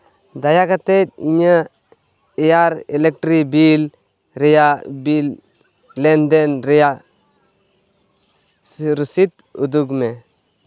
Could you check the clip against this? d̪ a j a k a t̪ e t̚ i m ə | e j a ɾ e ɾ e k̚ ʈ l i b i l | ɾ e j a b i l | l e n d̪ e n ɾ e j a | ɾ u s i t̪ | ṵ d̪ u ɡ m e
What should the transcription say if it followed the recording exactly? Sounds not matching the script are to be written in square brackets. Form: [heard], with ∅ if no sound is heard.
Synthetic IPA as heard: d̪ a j a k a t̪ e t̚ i [ɲ] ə | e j a ɾ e [l] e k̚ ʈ [ɾ] i b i l | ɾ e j a b i l | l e n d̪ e n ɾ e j a | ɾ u s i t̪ | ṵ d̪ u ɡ m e